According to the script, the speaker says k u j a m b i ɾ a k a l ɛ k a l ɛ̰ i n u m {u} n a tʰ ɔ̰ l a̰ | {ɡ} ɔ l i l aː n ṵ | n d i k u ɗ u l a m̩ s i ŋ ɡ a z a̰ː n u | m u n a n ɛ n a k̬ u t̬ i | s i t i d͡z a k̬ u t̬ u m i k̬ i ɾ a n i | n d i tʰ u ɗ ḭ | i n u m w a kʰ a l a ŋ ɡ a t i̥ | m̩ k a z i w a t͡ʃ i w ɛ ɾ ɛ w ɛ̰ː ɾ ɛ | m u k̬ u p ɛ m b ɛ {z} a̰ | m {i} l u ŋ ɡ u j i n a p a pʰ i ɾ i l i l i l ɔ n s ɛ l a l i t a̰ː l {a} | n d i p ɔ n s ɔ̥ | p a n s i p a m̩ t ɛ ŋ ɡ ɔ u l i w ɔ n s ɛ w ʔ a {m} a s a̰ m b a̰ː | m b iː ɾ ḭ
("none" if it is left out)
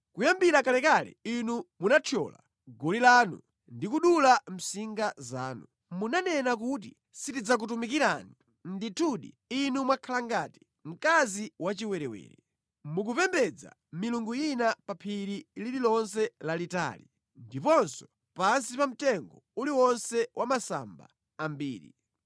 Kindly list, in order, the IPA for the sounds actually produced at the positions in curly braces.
u, ɡ, d͡z, i, i, m

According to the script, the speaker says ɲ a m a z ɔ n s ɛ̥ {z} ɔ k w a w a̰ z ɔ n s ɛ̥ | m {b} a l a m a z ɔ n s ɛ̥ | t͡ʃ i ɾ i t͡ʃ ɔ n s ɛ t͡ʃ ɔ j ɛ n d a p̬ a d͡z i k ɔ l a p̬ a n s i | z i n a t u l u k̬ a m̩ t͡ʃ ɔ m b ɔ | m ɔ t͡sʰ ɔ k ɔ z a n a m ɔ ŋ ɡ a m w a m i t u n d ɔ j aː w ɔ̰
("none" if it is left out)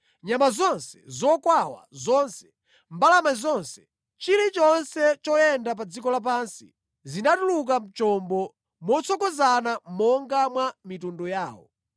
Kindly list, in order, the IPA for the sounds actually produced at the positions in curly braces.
z, b

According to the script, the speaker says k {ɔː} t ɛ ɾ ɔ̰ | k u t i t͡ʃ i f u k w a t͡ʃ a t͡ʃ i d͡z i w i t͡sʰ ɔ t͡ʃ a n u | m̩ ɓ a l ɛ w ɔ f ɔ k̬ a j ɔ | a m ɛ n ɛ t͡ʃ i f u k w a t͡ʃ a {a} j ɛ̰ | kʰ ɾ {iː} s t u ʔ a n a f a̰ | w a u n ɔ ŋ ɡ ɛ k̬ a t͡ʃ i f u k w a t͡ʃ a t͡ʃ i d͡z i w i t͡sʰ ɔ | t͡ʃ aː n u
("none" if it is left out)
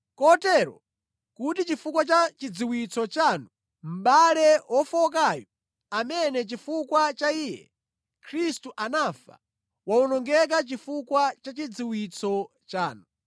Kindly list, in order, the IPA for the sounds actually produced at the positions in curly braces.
ɔ, i, i

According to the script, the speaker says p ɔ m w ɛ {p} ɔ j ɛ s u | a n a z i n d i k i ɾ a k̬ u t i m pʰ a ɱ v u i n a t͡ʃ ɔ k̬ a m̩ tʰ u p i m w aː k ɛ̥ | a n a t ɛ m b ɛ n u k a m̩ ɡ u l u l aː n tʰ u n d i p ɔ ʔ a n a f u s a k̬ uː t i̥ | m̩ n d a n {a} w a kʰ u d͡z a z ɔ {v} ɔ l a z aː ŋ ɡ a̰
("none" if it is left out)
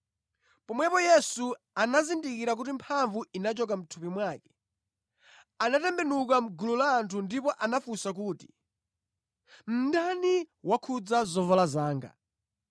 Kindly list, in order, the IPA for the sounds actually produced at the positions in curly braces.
p, i, v

